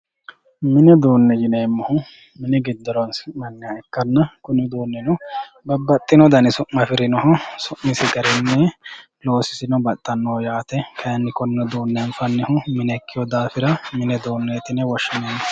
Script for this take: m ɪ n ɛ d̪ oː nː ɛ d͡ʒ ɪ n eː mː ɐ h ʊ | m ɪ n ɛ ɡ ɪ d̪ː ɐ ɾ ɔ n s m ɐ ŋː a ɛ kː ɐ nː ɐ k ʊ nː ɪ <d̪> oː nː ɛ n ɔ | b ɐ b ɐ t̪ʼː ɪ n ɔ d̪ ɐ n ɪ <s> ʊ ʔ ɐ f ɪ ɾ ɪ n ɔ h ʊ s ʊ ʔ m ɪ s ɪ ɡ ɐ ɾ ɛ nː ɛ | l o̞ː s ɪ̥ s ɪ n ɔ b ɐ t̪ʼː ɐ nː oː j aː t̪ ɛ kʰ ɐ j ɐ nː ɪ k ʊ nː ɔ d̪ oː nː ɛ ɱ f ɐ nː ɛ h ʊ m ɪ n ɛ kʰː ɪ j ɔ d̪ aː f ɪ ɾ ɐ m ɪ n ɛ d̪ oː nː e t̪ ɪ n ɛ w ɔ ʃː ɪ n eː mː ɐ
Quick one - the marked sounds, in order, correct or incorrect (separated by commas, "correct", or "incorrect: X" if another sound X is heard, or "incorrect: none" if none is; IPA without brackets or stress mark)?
correct, correct